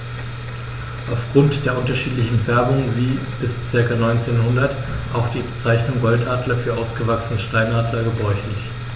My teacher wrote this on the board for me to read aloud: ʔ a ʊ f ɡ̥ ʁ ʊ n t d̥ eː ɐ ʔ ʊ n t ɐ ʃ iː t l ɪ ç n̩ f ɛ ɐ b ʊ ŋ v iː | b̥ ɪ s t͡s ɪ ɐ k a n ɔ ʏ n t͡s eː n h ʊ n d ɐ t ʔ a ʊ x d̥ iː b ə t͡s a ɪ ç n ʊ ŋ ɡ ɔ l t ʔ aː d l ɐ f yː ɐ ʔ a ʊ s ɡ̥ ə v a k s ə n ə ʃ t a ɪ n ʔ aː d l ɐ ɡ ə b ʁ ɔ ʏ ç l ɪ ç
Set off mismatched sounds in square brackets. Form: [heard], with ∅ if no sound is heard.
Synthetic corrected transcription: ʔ a ʊ f ɡ̥ ʁ ʊ n t d̥ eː ɐ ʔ ʊ n t ɐ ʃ iː t l ɪ ç n̩ f ɛ ɐ b ʊ ŋ v iː | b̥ ɪ s t͡s ɪ ɐ k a n ɔ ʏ n t͡s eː n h ʊ n d ɐ t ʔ a ʊ x d̥ iː b ə t͡s a ɪ ç n ʊ ŋ ɡ ɔ l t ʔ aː d l ɐ f yː ɐ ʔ a ʊ s ɡ̥ ə v a k s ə n ə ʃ t a ɪ n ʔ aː d l ɐ ɡ ə b ʁ ɔ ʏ ç l ɪ ç

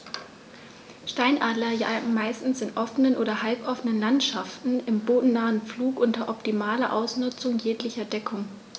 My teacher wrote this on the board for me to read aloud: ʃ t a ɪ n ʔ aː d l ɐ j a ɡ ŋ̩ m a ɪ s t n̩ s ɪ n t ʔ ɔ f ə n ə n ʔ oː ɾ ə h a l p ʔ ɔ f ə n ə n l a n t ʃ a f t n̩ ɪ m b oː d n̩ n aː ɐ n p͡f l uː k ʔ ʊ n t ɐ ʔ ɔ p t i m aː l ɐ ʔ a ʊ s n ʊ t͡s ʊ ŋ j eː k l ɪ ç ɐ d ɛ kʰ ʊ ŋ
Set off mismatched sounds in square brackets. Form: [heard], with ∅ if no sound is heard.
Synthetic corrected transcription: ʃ t a ɪ n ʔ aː d l ɐ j a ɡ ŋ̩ m a ɪ s t n̩ s ɪ n t ʔ ɔ f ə n ə n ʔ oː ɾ [ɐ] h a l p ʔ ɔ f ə n ə n l a n t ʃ a f t n̩ ɪ m b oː d n̩ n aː [ə] n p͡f l uː k ʔ ʊ n t ɐ ʔ ɔ p t i m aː l ɐ ʔ a ʊ s n ʊ t͡s ʊ ŋ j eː k l ɪ ç ɐ d ɛ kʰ ʊ ŋ

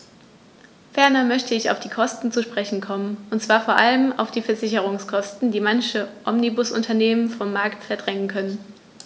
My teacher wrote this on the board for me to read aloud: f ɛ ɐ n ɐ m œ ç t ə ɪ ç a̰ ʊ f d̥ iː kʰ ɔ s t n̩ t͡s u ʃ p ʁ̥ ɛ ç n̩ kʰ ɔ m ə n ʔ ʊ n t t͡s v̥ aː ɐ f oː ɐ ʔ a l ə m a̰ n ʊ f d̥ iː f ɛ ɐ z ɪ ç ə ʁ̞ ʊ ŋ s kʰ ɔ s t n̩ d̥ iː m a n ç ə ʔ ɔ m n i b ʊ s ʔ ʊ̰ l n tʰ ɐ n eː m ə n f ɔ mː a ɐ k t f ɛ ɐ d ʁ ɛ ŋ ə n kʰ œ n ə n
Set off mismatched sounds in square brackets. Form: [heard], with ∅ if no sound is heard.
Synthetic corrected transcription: f ɛ ɐ n ɐ m œ ç t ə ɪ ç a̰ ʊ f d̥ iː kʰ ɔ s t n̩ t͡s u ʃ p ʁ̥ ɛ ç n̩ kʰ ɔ m ə n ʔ ʊ n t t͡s v̥ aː ɐ f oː ɐ ʔ a l ə m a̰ [∅] ʊ f d̥ iː f ɛ ɐ z ɪ ç ə ʁ̞ ʊ ŋ s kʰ ɔ s t n̩ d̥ iː m a n ç ə ʔ ɔ m n i b ʊ s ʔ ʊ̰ [∅] n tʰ ɐ n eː m ə n f ɔ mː a ɐ k t f ɛ ɐ d ʁ ɛ ŋ ə n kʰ œ n ə n

